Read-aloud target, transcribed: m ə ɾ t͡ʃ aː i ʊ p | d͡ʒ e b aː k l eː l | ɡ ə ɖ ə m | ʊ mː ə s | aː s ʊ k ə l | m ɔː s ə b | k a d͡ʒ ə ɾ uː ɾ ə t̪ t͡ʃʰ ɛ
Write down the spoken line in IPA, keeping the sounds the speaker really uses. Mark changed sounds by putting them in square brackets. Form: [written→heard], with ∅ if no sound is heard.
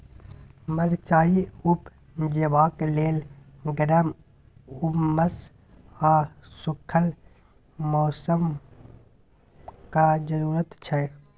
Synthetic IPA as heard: m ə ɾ t͡ʃ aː i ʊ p | d͡ʒ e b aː k l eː l | ɡ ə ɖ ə m | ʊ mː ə s | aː s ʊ [k→kʰ] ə l | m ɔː s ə [b→m] | k a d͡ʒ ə ɾ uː ɾ ə t̪ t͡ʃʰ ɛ